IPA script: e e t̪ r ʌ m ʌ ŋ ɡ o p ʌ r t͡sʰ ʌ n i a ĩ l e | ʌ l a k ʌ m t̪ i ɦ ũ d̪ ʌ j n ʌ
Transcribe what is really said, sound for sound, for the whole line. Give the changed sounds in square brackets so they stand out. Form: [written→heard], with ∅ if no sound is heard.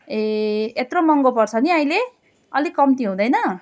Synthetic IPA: e e t̪ r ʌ m ʌ ŋ ɡ o p ʌ r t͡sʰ ʌ n i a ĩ l e | ʌ l [a→i] k ʌ m t̪ i ɦ ũ d̪ ʌ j n ʌ

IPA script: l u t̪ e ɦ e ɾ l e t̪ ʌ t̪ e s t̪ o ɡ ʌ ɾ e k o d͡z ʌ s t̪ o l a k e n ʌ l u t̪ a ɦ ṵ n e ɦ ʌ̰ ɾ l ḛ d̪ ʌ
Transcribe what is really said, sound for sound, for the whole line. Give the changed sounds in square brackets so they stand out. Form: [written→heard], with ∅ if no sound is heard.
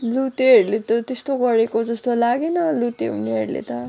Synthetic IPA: l u t̪ e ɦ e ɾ l e t̪ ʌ t̪ e s t̪ o ɡ ʌ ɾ e k o d͡z ʌ s t̪ o l a [k→ɡ] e n ʌ l u t̪ [a→e] ɦ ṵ n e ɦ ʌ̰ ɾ l ḛ [d̪→t̪] ʌ

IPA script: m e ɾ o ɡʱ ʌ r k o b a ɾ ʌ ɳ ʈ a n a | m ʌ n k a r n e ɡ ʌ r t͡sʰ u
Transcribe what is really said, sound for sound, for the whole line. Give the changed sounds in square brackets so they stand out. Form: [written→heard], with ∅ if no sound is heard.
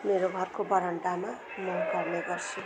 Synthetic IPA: m e ɾ o ɡʱ ʌ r k o b [a→ʌ] ɾ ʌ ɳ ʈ a [n→m] a | m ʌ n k [a→ʌ] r n e ɡ ʌ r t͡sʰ u

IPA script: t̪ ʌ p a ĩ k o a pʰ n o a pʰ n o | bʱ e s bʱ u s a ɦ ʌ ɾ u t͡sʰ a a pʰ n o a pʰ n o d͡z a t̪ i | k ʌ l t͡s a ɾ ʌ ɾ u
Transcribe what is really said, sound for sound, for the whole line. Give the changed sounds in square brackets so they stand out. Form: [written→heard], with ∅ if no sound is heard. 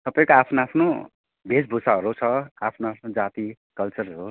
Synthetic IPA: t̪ ʌ p a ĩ k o a pʰ n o a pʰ n o | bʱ e s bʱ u s a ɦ ʌ ɾ u t͡sʰ [a→ʌ] a pʰ n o a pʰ n o d͡z a t̪ i | k ʌ l t͡s [a→ʌ] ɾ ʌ ɾ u

